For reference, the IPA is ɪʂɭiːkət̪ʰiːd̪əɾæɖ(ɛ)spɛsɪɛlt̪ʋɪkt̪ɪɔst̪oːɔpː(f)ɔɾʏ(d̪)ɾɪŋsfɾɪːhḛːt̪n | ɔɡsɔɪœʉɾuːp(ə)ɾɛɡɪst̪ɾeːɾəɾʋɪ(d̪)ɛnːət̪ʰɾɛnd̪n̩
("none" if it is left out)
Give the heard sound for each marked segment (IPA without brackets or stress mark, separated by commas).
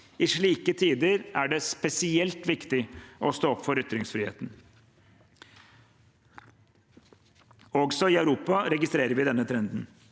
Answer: ɛ, f, t̪, ɑ, d̪